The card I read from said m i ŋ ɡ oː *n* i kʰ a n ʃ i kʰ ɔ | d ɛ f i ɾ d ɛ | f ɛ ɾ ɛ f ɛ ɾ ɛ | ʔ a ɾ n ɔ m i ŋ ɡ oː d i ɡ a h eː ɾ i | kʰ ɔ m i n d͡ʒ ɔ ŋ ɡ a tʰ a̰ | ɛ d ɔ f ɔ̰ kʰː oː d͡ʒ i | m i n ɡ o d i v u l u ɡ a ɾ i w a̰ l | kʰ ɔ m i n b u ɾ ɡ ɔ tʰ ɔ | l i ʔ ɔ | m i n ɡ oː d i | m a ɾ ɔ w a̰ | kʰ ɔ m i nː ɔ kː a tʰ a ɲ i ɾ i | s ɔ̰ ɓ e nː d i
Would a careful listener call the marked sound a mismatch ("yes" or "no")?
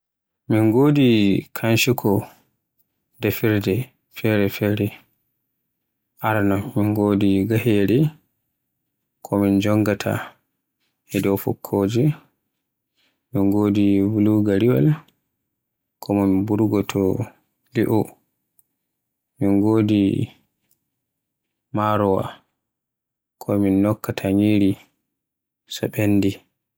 yes